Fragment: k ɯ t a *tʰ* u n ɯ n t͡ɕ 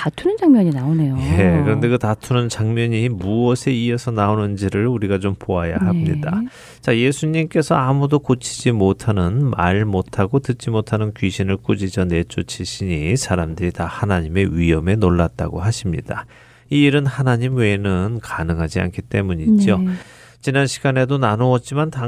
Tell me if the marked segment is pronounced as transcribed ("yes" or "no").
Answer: yes